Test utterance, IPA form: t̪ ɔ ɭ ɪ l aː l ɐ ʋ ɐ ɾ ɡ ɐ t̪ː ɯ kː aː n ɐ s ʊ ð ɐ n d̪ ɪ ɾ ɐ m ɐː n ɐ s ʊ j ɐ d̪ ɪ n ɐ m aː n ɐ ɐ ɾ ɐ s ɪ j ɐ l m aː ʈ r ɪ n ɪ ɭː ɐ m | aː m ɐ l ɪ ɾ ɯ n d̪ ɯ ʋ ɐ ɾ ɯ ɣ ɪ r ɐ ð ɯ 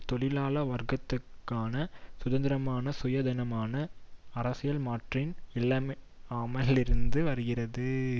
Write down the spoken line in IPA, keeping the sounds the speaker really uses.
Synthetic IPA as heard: t̪ ɔ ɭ ɪ l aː l ɐ ʋ ɐ ɾ ɡ ɐ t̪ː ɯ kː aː n ɐ s ʊ ð ɐ n d̪ ɪ ɾ ɐ m aː n ɐ s ʊ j ɐ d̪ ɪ n ɐ m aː n ɐ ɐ ɾ ɐ s ɪ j ɐ l m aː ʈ r ɪ n ɪ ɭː ɐ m | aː m ɐ l ɪ ɾ ɯ n d̪ ɯ ʋ ɐ ɾ ɯ ɣ ɪ r ɐ ð ɯ